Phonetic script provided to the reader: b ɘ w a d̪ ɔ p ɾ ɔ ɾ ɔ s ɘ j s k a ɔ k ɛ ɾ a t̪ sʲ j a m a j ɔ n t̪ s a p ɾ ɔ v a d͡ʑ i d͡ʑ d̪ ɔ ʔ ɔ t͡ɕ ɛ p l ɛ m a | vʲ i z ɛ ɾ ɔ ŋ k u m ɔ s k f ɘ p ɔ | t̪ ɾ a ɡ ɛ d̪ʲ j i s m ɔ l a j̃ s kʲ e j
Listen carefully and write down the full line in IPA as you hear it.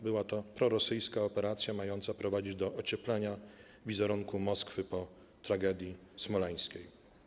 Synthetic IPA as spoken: b ɘ w a t̪ ɔ p ɾ ɔ ɾ ɔ s ɘ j s k a ɔ p ɛ ɾ a t̪ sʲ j a m a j ɔ n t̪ s a p ɾ ɔ v a d͡ʑ i d͡ʑ d̪ ɔ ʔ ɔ t͡ɕ ɛ p l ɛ ɲ a | vʲ i z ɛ ɾ u ŋ k u m ɔ s k f ɘ p ɔ | t̪ ɾ a ɡ ɛ d̪ʲ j i s m ɔ l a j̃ s kʲ e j

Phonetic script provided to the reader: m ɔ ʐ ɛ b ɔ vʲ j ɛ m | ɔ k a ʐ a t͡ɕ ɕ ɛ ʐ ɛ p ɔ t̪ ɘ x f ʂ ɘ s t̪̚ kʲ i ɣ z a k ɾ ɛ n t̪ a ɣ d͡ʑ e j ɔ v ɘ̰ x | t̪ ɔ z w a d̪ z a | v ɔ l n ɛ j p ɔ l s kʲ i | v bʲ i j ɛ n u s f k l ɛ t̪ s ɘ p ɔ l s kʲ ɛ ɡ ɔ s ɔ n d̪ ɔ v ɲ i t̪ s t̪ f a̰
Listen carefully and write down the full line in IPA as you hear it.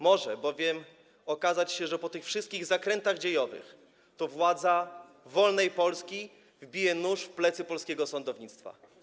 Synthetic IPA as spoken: m ɔ ʐ ɛ b ɔ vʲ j ɛ m | ɔ k a z a t͡ɕ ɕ ɛ ʐ ɛ p ɔ t̪ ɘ x f ʂ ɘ s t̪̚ kʲ i ɣ z a k ɾ ɛ n t̪ a ɣ d͡ʑ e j ɔ v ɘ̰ x | t̪ ɔ v w a d̪ z a | v ɔ l n ɛ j p ɔ l s kʲ i | v bʲ i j ɛ n u ʂ f p l ɛ t̪ s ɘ p ɔ l s kʲ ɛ ɡ ɔ s ɔ n d̪ ɔ v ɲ i t̪ s t̪ f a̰

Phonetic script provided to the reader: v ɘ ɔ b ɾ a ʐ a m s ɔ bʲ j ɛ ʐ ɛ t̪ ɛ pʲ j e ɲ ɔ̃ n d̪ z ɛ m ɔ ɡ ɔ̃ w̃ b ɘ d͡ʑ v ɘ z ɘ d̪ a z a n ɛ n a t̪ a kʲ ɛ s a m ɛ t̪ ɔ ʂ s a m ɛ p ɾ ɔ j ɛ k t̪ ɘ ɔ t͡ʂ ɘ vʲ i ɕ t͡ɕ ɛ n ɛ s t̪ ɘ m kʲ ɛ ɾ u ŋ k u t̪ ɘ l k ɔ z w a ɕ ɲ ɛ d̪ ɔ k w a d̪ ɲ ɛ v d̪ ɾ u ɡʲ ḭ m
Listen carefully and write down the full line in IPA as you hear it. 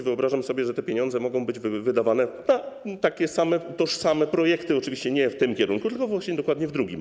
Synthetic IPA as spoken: v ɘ ɔ b ɾ a ʐ a m s ɔ bʲ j ɛ ʐ ɛ t̪ ɛ pʲ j e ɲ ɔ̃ n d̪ z ɛ m ɔ ɡ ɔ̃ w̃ b ɘ d͡ʑ v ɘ v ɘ d̪ a v a n ɛ n a t̪ a kʲ ɛ s a m ɛ t̪ ɔ ʂ s a m ɛ p ɾ ɔ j ɛ k t̪ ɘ ɔ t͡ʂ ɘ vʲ i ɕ t͡ɕ ɛ ɲ ɛ f t̪ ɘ m kʲ ɛ ɾ u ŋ k u t̪ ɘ l k ɔ v w a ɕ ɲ ɛ d̪ ɔ k w a d̪ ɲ ɛ v d̪ ɾ u ɡʲ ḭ m

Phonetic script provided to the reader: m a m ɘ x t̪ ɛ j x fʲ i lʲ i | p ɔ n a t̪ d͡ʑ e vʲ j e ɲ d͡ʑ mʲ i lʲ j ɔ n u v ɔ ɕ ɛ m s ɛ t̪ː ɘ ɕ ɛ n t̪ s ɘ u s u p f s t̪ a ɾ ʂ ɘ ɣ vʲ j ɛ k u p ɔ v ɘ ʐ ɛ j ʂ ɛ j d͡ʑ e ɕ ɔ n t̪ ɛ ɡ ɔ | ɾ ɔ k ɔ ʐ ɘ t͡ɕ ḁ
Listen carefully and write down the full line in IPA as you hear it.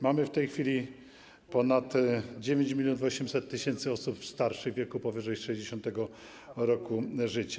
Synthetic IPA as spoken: m a m ɘ f t̪ ɛ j x fʲ i lʲ i | p ɔ n a t̪ d͡ʑ e vʲ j e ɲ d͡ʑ mʲ i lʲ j ɔ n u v ɔ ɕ ɛ m s ɛ t̪ː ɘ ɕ ɛ n t̪ s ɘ ɔ s u p f s t̪ a ɾ ʂ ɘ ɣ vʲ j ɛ k u p ɔ v ɘ ʐ ɛ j ʂ ɛ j d͡ʑ e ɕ ɔ n t̪ ɛ ɡ ɔ | ɾ ɔ k u ʐ ɘ t͡ɕ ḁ

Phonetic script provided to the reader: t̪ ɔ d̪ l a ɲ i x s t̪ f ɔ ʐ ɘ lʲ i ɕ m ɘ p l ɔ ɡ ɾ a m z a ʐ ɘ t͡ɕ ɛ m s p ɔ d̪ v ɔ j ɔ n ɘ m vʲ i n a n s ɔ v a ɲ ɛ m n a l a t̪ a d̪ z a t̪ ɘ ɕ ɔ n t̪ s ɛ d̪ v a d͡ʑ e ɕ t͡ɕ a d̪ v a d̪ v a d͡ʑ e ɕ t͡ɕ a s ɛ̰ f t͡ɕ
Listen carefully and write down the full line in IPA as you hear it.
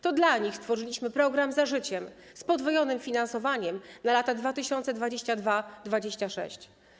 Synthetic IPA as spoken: t̪ ɔ d̪ l a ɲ i x s t̪ f ɔ ʐ ɘ lʲ i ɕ m ɘ p ɾ ɔ ɡ ɾ a m z a ʐ ɘ t͡ɕ ɛ m s p ɔ d̪ v ɔ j ɔ n ɘ m fʲ i n a n s ɔ v a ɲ ɛ m n a l a t̪ a d̪ v a t̪ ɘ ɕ ɔ n t̪ s ɛ d̪ v a d͡ʑ e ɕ t͡ɕ a d̪ v a d̪ v a d͡ʑ e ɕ t͡ɕ a ʂ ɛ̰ ɕ t͡ɕ

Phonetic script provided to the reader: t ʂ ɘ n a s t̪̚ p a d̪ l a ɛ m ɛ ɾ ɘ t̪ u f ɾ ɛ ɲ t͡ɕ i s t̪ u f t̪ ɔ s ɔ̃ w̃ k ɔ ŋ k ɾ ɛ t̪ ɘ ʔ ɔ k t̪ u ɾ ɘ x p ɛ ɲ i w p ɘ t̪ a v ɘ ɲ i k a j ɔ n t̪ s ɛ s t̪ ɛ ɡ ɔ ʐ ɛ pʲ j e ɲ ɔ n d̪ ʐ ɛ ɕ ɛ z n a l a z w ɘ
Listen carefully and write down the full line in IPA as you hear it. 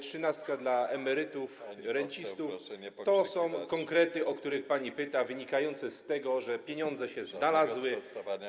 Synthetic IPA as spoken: t ʂ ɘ n a s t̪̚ k a d̪ l a ɛ m ɛ ɾ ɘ t̪ u f ɾ ɛ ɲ t͡ɕ i s t̪ u f t̪ ɔ s ɔ̃ w̃ k ɔ ŋ k ɾ ɛ t̪ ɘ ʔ ɔ k t̪ u ɾ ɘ x p a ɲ i p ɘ t̪ a v ɘ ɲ i k a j ɔ n t̪ s ɛ s t̪ ɛ ɡ ɔ ʐ ɛ pʲ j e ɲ ɔ n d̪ z ɛ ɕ ɛ z n a l a z w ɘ

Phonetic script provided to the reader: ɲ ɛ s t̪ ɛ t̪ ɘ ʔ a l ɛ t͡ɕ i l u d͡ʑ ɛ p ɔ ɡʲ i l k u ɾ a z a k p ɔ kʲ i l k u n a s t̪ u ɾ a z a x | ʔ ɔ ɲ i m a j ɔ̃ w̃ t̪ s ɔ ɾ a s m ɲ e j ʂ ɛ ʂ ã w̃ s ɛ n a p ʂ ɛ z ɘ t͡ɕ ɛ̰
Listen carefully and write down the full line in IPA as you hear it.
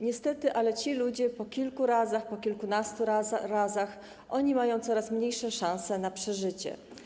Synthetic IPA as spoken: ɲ ɛ s t̪ ɛ t̪ ɘ ʔ a l ɛ t͡ɕ i l u d͡ʑ ɛ p ɔ kʲ i l k u ɾ a z a x p ɔ kʲ i l k u n a s t̪ u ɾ a z a x | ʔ ɔ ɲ i m a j ɔ̃ w̃ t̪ s ɔ ɾ a s m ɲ e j ʂ ɛ ʂ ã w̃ s ɛ n a p ʂ ɛ ʐ ɘ t͡ɕ ɛ̰

